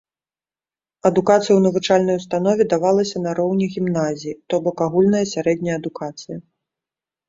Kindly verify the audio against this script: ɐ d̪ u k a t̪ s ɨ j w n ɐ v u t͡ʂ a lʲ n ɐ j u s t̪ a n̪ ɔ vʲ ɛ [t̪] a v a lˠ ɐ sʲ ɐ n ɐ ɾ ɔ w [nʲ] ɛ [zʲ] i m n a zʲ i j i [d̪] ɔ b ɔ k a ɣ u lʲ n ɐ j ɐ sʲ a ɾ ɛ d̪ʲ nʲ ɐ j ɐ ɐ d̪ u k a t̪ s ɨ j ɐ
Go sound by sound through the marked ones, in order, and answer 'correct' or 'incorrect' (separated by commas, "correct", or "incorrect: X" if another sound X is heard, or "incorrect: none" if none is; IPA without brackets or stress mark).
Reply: incorrect: d̪, correct, incorrect: ɣʲ, incorrect: t̪